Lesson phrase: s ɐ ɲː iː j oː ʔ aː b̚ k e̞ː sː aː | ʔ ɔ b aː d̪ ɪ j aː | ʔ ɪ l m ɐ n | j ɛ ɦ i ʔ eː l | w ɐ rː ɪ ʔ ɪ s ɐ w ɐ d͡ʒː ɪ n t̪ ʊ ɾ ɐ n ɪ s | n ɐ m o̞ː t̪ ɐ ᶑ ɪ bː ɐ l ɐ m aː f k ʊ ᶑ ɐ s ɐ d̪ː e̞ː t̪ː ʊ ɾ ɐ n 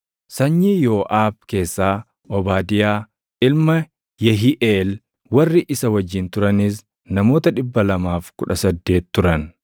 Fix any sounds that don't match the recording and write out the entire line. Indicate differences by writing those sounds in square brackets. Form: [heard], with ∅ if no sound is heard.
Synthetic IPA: s ɐ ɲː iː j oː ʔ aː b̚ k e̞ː sː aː | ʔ ɔ b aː d̪ ɪ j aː | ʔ ɪ l m ɐ [∅] | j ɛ ɦ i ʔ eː l | w ɐ rː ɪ ʔ ɪ s ɐ w ɐ d͡ʒː ɪ n t̪ ʊ ɾ ɐ n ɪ s | n ɐ m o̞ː t̪ ɐ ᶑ ɪ bː ɐ l ɐ m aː f k ʊ ᶑ ɐ s ɐ d̪ː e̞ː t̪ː ʊ ɾ ɐ n

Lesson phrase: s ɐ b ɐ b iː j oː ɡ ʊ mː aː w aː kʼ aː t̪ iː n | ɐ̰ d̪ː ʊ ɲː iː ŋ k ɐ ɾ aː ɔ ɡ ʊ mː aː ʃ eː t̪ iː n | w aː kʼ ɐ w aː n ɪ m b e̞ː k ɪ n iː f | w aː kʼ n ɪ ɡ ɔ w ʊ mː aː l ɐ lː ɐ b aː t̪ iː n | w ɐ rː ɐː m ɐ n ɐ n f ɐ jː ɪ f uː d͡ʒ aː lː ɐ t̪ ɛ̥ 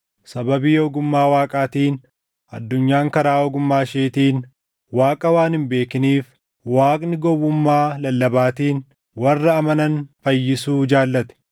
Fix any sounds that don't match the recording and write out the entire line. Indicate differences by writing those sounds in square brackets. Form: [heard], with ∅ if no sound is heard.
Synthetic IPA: s ɐ b ɐ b iː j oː ɡ ʊ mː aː w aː kʼ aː t̪ iː n | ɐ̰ d̪ː ʊ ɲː [aː] ŋ k ɐ ɾ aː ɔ ɡ ʊ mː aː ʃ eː t̪ iː n | w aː kʼ ɐ w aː n ɪ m b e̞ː k ɪ n iː f | w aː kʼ n ɪ ɡ ɔ w ʊ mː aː l ɐ lː ɐ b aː t̪ iː n | w ɐ rː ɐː m ɐ n ɐ n f ɐ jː ɪ [s] uː d͡ʒ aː lː ɐ t̪ ɛ̥

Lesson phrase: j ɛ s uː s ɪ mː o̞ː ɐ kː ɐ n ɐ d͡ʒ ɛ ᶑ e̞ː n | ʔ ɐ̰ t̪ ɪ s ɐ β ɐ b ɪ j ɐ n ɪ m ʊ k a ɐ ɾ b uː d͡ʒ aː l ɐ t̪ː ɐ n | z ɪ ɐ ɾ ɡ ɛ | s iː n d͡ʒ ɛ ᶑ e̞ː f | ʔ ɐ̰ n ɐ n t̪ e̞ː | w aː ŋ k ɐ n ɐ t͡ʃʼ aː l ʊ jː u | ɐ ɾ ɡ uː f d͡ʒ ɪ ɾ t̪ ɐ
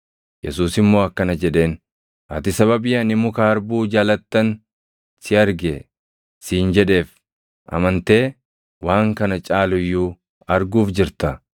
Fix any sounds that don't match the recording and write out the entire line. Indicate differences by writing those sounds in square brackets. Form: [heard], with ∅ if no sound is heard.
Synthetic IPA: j ɛ s uː s ɪ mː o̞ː ɐ kː ɐ n ɐ d͡ʒ ɛ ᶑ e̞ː n | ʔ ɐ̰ t̪ ɪ s ɐ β ɐ b ɪ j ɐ n ɪ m ʊ k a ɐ ɾ b uː d͡ʒ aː l ɐ t̪ː ɐ n | [s] ɪ ɐ ɾ ɡ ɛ | s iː n d͡ʒ ɛ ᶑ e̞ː f | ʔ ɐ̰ [m] ɐ n t̪ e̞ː | w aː ŋ k ɐ n ɐ t͡ʃʼ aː l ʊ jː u | ɐ ɾ ɡ uː f d͡ʒ ɪ ɾ t̪ ɐ

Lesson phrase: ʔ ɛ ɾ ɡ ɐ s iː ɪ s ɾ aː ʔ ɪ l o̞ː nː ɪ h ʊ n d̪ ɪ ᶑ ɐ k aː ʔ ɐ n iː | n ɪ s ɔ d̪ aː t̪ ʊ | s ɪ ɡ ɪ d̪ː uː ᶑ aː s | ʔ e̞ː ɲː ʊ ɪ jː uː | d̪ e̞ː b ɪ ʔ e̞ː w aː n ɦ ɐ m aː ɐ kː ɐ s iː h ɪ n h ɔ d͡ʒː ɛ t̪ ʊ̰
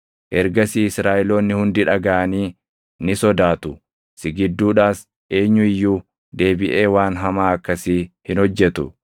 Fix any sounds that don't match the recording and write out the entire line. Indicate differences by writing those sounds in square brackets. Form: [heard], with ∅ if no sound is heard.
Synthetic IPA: ʔ ɛ ɾ ɡ ɐ s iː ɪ s ɾ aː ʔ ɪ l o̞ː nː ɪ h ʊ n d̪ ɪ ᶑ ɐ [ɡ] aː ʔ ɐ n iː | n ɪ s ɔ d̪ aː t̪ ʊ | s ɪ ɡ ɪ d̪ː uː ᶑ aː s | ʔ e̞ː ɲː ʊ ɪ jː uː | d̪ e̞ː b ɪ ʔ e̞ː w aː n ɦ ɐ m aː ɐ kː ɐ s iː h ɪ n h ɔ d͡ʒː ɛ t̪ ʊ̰

